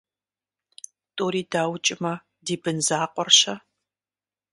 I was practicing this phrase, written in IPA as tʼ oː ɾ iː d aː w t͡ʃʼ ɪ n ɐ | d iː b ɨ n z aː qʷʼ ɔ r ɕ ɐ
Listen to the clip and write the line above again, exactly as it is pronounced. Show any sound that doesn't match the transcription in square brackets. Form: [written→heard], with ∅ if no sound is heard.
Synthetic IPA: tʼ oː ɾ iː d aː w t͡ʃʼ ɪ [n→m] ɐ | d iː b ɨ n z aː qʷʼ ɔ r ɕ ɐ